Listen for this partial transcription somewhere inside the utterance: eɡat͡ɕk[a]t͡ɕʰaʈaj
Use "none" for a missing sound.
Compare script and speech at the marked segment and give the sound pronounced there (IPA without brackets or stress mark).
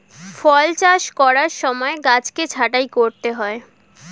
e